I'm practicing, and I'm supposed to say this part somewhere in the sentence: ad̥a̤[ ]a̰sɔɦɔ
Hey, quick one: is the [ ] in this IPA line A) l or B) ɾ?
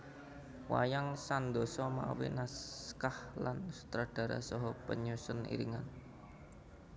B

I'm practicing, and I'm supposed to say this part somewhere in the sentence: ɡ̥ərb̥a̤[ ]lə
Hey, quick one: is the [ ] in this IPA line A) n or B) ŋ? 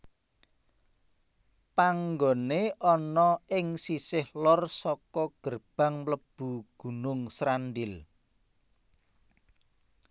B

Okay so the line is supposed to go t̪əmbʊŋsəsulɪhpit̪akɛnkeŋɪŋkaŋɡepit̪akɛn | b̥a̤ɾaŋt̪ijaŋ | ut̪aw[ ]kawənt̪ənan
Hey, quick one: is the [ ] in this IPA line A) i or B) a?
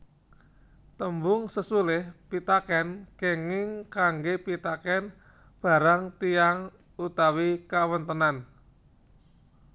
A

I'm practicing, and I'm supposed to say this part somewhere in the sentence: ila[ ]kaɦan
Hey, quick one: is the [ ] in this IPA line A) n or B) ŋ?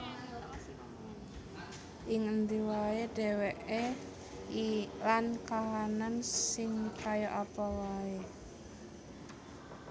A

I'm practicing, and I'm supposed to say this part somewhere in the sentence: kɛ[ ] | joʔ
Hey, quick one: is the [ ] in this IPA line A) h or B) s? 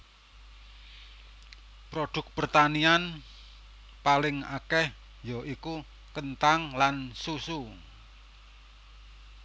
A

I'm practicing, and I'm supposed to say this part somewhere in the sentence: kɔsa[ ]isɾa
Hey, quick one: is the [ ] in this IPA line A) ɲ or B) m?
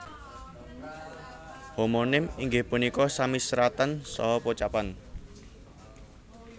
B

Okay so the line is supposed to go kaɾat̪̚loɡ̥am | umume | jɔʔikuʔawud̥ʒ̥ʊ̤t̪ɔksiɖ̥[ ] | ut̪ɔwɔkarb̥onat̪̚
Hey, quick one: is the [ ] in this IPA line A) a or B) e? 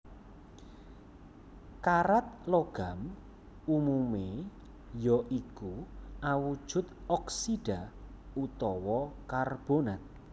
A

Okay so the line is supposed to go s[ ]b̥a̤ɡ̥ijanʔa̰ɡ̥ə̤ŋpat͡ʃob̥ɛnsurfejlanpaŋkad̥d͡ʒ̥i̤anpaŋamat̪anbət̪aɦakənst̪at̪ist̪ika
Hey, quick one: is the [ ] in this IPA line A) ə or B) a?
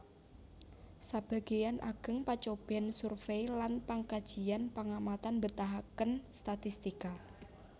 B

